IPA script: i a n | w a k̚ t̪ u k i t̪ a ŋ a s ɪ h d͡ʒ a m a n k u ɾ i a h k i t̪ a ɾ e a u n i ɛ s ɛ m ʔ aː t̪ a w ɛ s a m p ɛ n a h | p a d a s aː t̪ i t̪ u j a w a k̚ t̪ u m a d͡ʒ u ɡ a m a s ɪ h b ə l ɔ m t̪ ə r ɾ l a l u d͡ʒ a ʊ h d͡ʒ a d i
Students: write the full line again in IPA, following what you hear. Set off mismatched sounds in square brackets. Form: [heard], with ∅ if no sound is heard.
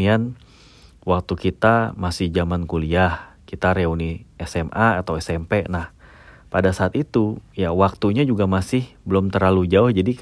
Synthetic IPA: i a n | w a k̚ t̪ u k i t̪ a [m] a s ɪ h d͡ʒ a m a n k u [l] i a h k i t̪ a ɾ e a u n i ɛ s ɛ m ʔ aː t̪ a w ɛ s [ɛ] m p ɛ n a h | p a d a s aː t̪ i t̪ u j a w a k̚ t̪ u [ɲ] a d͡ʒ u ɡ a m a s ɪ h b ə l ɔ m t̪ ə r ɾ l a l u d͡ʒ a ʊ h d͡ʒ a d i